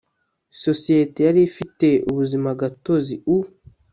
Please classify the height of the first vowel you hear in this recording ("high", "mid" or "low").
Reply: mid